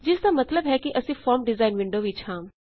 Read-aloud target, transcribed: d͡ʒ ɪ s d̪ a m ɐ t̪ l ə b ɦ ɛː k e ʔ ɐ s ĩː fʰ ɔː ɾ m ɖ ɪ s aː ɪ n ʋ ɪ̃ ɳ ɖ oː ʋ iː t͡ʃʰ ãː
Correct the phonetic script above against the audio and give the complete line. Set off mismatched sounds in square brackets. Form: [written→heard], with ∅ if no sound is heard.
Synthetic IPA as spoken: d͡ʒ ɪ s d̪ a m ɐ t̪ l ə b ɦ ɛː k [e→i] ʔ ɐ s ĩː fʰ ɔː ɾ m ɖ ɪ [s→z] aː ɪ n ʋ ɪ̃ ɳ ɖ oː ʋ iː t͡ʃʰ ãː